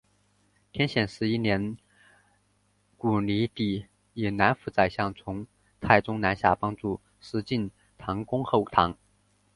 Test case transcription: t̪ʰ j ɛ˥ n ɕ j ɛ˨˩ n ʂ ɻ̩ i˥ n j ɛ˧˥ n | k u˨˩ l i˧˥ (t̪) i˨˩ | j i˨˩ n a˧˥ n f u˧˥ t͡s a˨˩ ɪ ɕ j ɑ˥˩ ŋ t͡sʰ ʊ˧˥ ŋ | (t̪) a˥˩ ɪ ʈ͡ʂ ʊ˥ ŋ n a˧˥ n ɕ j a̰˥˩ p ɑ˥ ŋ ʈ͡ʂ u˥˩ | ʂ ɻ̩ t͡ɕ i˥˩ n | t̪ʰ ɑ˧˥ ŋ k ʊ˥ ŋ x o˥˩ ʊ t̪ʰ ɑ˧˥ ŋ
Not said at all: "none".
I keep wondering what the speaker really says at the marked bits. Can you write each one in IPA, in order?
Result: t̪, t̪ʰ

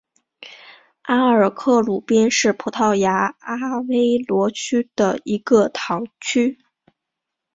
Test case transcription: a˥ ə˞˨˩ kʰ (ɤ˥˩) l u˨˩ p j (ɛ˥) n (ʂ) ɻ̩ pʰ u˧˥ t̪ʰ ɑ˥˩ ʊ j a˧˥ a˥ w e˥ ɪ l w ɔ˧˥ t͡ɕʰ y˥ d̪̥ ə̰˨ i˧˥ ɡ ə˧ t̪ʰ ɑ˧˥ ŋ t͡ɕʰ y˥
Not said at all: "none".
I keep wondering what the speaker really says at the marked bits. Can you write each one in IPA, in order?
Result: ɤ˥˩, ɛ˥, ʂ

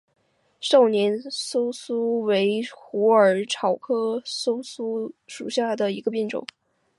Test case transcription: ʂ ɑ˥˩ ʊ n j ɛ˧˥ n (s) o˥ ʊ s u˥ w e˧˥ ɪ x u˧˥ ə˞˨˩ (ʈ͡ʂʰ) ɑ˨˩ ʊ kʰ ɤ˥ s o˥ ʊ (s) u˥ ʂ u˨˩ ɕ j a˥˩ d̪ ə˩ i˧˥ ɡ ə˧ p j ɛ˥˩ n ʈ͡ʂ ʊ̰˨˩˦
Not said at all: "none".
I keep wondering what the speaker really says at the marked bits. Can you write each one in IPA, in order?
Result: s, ʈ͡ʂʰ, s

